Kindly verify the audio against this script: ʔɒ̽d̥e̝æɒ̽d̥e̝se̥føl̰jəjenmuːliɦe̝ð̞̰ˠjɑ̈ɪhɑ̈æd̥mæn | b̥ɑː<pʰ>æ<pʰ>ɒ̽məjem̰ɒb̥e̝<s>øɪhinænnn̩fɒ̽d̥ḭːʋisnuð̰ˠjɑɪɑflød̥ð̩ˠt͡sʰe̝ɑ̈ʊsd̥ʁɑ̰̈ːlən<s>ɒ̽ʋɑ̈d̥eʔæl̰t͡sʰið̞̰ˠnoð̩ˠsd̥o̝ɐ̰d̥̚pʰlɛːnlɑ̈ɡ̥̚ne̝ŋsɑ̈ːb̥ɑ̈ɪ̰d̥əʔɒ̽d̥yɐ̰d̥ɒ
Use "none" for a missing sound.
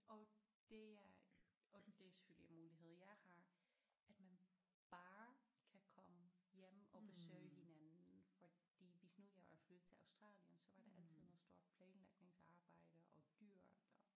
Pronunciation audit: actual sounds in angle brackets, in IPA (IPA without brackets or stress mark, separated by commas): kʰ, kʰ, s, s